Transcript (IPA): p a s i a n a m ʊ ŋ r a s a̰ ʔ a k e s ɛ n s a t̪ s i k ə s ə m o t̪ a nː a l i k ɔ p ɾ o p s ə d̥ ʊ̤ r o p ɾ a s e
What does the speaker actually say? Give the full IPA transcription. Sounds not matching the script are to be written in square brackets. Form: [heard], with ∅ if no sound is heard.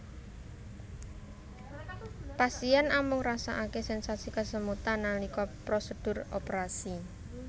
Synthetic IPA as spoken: p a s i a n a m ʊ ŋ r a s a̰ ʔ a k e s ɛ n s a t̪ s i k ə s ə m [u] t̪ a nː a l i k ɔ p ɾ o [∅] s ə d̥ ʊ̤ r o p ɾ a s [i]

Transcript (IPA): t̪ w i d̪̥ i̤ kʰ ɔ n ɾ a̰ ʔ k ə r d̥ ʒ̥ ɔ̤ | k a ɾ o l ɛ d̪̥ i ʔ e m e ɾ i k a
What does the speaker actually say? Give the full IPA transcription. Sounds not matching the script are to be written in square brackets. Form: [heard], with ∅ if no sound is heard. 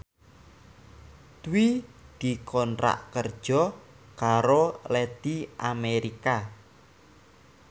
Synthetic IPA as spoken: t̪ w i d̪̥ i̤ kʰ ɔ n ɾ a̰ ʔ k ə r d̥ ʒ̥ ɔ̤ | k a ɾ o l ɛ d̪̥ i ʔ [a] m e ɾ i k a

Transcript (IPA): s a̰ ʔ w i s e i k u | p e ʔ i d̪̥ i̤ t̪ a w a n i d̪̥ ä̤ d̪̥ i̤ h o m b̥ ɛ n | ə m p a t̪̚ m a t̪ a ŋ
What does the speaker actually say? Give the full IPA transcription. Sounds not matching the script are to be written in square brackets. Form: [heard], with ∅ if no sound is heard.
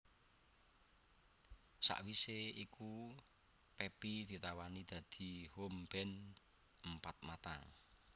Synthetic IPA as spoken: s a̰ ʔ w i s e i k u | p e [p] i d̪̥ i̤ t̪ a w a n i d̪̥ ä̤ d̪̥ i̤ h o m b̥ ɛ n | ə m p a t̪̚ m a t̪ a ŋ

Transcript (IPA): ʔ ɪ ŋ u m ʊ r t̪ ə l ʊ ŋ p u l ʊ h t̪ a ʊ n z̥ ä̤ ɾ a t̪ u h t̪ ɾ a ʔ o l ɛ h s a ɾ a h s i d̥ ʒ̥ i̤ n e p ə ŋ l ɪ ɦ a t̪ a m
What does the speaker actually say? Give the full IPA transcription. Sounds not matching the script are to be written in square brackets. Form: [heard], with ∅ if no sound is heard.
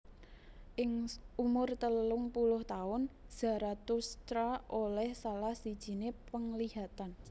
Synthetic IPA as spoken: ʔ ɪ ŋ u m ʊ r t̪ ə l ʊ ŋ p u l ʊ h t̪ a ʊ n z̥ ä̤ ɾ a t̪ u [s] t̪ ɾ a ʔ o l ɛ h s a [l] a h s i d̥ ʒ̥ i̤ n e p ə ŋ l [i] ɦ a t̪ a [n]

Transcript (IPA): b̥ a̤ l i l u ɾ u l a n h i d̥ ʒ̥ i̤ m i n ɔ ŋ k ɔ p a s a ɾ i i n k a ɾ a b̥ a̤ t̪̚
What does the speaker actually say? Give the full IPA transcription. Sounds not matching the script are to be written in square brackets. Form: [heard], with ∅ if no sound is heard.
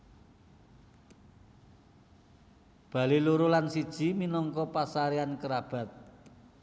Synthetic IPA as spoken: b̥ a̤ l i l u ɾ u l a n [s] i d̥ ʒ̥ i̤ m i n ɔ ŋ k ɔ p a s a ɾ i [a] n k [ə] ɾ a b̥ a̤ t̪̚

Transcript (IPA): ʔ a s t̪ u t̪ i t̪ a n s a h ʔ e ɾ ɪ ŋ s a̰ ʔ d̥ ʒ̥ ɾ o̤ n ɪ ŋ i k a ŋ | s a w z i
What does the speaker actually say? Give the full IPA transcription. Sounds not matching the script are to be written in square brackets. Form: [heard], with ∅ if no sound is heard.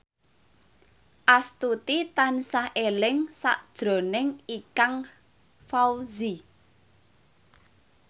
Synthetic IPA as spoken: ʔ a s t̪ u t̪ i t̪ a n s a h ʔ e [l] ɪ ŋ s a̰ ʔ d̥ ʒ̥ ɾ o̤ n ɪ ŋ i k a ŋ | [f] a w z i

